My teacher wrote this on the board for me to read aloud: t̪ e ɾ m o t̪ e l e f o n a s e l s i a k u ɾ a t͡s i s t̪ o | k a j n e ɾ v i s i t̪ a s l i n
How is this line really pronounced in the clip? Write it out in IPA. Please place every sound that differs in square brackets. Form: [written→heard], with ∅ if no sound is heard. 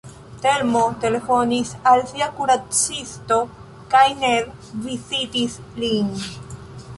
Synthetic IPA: t̪ e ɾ m o t̪ e l e f o n [a→i] s [e→a] l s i a k u ɾ a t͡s i s t̪ o | k a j n e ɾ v i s i t̪ [a→i] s l i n